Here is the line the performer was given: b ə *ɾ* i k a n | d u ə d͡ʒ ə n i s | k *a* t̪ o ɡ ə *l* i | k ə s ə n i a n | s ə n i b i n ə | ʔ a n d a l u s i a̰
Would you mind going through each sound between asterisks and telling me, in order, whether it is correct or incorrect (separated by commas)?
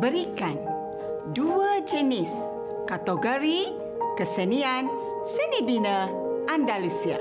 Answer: correct, correct, incorrect